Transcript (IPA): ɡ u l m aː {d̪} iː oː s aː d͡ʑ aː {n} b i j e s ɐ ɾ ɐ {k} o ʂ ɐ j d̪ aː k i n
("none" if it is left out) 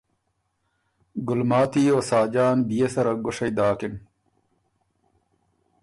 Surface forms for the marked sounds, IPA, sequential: t̪, n, ɡ

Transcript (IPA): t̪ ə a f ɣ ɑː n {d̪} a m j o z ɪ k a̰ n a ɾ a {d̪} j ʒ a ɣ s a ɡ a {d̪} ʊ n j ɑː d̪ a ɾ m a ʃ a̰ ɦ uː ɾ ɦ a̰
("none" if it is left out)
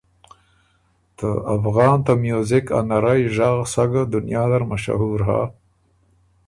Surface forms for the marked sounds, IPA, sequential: t̪, none, d̪

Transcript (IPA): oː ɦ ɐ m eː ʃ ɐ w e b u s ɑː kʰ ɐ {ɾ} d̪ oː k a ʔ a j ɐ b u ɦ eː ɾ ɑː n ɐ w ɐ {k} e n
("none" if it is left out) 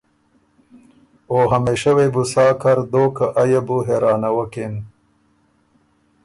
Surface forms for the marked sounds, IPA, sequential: ɾ, k

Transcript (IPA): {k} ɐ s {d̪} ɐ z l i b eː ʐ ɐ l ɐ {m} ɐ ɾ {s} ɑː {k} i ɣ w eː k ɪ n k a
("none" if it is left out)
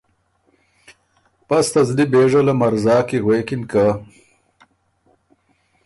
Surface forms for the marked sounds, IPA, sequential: p, t̪, m, z, k

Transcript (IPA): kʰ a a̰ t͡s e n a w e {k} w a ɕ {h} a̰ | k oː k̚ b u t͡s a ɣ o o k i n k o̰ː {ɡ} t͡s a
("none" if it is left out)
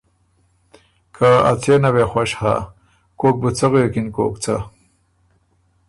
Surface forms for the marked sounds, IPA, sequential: x, h, k

